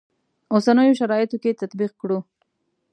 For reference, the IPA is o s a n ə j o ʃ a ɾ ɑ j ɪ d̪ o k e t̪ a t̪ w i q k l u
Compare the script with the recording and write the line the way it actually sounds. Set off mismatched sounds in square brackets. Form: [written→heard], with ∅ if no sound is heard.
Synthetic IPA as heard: o s a n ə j o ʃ a ɾ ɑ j ɪ [d̪→t̪] o k e t̪ a t̪ [w→b] i q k [l→ɽ] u